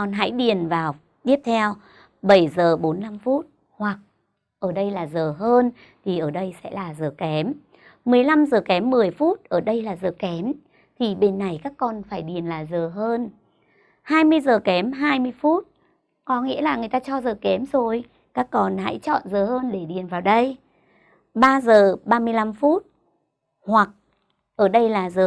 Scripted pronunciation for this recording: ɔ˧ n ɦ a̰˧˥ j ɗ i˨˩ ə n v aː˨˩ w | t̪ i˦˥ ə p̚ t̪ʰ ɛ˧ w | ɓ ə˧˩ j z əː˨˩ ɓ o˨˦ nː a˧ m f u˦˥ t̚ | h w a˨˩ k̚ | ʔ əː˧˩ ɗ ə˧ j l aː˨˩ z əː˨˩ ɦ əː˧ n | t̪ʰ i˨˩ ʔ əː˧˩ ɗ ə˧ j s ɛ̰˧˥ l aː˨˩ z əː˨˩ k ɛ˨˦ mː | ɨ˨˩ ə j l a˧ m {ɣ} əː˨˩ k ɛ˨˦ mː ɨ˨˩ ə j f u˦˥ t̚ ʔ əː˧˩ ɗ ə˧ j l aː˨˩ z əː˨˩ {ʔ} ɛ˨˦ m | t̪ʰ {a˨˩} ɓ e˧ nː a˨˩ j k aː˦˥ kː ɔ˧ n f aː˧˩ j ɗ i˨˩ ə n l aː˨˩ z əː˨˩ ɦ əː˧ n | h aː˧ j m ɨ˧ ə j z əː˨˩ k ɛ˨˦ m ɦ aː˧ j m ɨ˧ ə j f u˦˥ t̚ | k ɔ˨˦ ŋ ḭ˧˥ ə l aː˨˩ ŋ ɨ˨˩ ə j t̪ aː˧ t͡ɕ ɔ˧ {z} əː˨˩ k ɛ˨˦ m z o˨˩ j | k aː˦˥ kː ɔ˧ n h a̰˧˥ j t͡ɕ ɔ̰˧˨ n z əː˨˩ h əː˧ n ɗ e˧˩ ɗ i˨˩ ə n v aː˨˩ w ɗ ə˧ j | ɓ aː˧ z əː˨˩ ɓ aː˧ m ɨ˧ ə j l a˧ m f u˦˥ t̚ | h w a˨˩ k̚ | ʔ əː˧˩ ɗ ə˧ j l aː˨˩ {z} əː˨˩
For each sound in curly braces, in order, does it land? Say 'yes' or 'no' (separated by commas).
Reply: no, no, no, yes, yes